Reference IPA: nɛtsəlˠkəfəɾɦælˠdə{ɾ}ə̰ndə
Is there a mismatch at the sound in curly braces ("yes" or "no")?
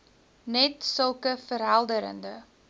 no